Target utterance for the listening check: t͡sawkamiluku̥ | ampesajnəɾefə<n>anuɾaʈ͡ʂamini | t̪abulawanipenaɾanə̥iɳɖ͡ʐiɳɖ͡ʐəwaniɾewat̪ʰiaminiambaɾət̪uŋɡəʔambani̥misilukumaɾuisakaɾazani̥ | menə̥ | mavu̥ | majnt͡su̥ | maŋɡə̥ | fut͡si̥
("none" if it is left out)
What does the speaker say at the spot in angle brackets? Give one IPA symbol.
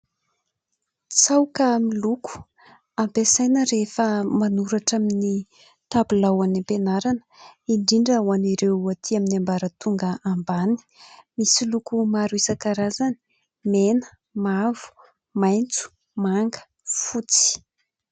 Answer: m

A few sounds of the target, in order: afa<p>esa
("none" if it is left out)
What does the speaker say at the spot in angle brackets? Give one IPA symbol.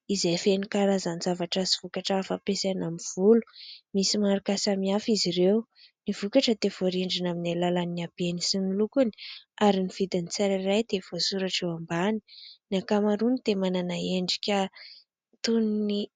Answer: p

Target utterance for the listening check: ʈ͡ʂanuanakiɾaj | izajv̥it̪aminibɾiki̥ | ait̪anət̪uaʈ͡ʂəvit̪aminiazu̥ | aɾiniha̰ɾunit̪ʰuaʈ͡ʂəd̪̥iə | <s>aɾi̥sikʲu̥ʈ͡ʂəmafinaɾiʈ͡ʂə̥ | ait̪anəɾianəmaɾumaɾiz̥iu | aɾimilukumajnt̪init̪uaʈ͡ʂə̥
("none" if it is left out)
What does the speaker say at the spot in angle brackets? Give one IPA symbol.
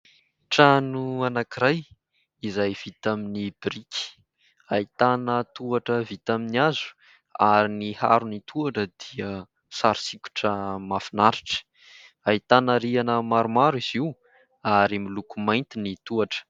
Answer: s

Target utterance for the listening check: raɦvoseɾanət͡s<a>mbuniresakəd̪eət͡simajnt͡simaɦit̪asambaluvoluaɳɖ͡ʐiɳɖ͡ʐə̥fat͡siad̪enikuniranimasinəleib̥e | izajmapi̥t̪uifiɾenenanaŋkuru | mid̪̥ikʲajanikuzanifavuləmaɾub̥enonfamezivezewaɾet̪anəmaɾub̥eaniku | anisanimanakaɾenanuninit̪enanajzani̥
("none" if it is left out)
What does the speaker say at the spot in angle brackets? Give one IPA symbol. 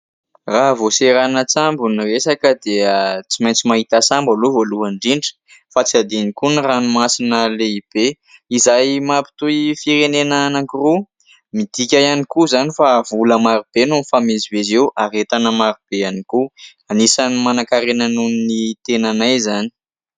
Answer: a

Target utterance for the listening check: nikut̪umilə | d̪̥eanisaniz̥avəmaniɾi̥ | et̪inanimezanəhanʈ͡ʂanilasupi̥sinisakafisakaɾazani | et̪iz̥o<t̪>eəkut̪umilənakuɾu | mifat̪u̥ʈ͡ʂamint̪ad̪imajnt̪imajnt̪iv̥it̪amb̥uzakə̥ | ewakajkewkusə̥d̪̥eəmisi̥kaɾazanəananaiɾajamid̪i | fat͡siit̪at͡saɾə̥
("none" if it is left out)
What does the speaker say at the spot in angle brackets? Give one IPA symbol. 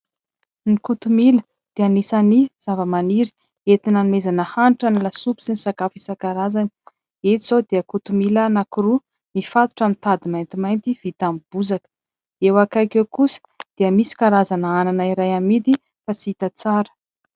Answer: d̪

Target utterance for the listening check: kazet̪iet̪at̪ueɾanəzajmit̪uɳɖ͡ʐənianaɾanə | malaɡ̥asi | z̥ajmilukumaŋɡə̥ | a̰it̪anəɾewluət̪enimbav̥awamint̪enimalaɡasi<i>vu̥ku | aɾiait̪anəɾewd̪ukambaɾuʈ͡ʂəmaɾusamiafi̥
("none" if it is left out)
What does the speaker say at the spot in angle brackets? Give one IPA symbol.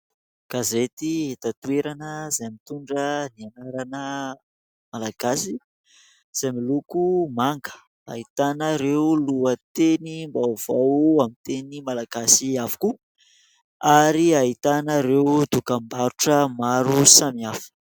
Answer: a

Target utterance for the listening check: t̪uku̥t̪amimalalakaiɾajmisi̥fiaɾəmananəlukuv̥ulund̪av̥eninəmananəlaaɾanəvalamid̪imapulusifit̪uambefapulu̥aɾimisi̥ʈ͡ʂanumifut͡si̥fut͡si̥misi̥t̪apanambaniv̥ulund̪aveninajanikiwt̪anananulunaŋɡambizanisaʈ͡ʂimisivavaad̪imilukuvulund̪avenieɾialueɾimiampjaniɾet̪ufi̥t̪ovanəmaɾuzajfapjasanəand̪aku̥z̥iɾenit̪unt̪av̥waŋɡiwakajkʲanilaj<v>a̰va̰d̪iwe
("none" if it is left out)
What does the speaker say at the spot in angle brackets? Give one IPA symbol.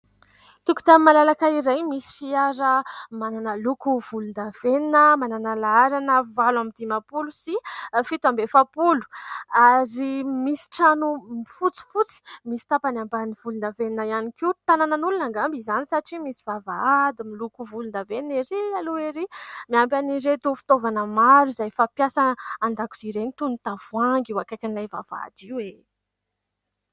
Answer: v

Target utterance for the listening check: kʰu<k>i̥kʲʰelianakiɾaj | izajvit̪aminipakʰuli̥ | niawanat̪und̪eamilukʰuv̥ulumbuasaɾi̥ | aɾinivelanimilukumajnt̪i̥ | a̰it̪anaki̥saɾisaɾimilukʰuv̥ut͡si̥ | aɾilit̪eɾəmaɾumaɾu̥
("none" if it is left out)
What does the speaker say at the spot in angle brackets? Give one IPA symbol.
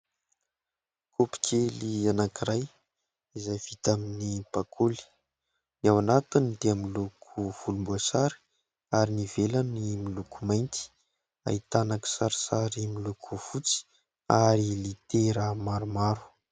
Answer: p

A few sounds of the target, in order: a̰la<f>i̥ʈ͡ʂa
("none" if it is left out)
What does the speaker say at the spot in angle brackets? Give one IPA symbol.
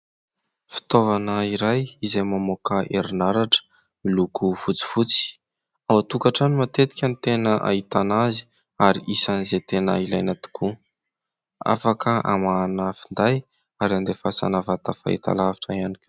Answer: v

